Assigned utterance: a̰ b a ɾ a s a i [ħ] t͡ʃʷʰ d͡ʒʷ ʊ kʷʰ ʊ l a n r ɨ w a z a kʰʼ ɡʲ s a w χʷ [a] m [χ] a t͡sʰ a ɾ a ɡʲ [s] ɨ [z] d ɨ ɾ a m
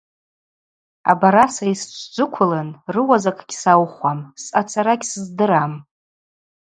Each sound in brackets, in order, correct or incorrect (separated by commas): incorrect, correct, incorrect, correct, correct